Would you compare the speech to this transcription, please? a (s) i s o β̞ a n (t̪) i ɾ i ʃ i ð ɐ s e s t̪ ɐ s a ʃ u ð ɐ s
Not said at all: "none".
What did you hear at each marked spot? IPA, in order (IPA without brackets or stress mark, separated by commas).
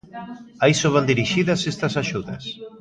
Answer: none, d̪